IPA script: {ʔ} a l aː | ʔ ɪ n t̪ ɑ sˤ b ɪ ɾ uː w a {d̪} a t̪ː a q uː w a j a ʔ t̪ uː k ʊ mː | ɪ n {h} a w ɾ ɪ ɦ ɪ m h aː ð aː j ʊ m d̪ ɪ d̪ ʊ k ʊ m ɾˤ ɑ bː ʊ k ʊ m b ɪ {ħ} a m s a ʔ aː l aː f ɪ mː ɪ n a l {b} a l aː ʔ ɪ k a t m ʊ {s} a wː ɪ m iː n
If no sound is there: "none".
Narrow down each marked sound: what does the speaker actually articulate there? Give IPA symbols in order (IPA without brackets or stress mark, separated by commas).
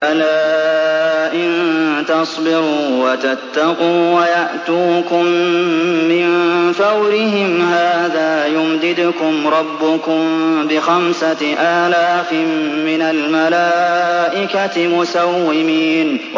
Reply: ʔ, t̪, f, x, m, s